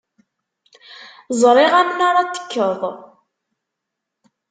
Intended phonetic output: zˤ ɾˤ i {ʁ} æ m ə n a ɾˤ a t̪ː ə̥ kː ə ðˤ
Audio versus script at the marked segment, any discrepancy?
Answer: no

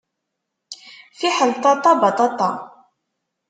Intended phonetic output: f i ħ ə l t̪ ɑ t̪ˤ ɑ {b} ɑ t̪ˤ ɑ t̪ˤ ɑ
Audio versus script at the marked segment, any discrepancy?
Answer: no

